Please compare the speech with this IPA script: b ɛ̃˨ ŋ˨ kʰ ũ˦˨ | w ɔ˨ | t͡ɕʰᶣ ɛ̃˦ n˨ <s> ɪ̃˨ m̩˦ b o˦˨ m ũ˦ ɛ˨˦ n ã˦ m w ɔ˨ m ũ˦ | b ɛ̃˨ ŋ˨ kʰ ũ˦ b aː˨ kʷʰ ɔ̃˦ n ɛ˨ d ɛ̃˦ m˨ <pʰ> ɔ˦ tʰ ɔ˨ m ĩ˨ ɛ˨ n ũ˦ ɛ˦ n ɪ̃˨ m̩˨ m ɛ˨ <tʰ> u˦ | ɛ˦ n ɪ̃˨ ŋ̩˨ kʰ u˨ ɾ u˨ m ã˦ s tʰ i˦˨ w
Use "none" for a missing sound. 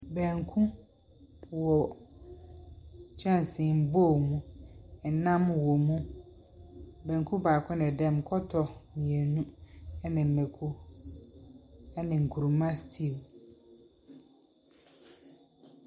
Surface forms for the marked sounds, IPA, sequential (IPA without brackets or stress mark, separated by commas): s, kʰ, kʰ